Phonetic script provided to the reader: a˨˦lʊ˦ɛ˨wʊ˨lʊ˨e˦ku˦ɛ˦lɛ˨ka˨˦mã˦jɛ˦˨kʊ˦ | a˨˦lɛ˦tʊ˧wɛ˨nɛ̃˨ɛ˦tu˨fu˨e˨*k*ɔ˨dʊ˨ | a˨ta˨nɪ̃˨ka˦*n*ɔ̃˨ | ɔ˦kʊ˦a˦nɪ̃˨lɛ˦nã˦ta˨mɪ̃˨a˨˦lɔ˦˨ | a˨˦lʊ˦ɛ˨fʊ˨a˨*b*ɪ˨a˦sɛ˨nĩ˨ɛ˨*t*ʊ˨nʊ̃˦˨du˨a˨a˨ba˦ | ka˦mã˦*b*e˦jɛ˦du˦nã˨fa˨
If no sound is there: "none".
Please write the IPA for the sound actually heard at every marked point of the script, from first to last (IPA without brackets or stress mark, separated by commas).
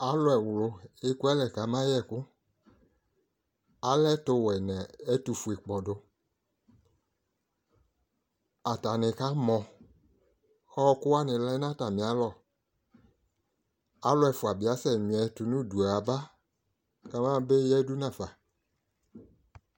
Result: k͡p, m, b, t, b